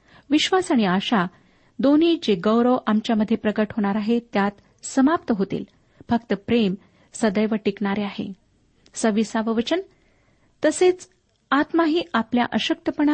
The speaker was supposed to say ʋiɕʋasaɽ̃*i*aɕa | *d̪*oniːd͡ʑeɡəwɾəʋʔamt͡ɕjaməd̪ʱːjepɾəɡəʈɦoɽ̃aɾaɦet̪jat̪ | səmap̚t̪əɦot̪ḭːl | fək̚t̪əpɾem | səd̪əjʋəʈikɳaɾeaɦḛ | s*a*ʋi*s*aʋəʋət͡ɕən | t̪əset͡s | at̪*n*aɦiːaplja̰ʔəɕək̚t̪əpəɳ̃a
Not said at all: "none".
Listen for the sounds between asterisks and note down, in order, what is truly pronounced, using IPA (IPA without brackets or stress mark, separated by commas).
i, d̪, ə, s, m